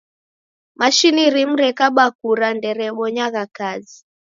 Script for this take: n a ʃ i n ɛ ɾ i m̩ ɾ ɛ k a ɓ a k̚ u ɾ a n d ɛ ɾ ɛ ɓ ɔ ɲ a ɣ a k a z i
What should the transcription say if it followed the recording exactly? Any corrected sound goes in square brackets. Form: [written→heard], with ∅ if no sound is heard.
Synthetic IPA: [n→m] a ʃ i n [ɛ→i] ɾ i m̩ ɾ ɛ k a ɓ a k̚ u ɾ a n d ɛ ɾ ɛ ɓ ɔ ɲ a ɣ a k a z i